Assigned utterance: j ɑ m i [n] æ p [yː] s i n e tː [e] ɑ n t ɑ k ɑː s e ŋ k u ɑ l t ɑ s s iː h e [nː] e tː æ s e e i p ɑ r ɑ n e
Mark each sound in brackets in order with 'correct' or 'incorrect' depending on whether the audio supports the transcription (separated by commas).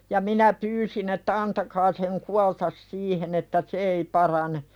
correct, correct, incorrect, incorrect